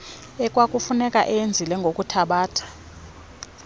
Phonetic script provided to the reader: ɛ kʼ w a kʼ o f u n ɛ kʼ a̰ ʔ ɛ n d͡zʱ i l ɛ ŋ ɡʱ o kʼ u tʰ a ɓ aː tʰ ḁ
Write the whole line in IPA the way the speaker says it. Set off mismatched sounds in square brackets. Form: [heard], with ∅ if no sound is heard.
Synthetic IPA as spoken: ɛ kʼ w a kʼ [u] f u n ɛ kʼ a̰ ʔ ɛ n d͡zʱ i l ɛ ŋ ɡʱ o kʼ u tʰ a ɓ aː tʰ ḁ